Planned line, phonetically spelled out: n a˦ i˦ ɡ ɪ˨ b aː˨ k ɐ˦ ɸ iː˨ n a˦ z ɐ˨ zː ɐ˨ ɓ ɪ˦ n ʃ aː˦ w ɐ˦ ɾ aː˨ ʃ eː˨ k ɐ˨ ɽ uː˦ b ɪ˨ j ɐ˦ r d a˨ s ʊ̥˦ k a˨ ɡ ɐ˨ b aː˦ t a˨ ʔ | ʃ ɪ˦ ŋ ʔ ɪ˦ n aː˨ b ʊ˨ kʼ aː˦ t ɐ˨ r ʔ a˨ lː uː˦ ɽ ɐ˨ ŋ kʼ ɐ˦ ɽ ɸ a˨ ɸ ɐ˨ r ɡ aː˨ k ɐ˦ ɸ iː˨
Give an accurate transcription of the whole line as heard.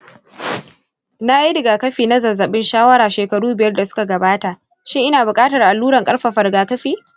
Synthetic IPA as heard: n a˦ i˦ d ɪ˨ ɡ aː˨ k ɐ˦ ɸ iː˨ n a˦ z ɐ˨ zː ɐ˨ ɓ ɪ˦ n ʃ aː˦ w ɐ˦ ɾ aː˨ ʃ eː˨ k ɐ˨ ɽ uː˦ b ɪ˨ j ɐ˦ r d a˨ s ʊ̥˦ k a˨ ɡ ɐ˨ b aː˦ t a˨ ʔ | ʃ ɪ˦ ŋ ʔ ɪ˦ n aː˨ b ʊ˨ kʼ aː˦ t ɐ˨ r ʔ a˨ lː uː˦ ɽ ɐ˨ ŋ kʼ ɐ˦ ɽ ɸ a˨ ɸ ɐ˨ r ɡ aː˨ k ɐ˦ ɸ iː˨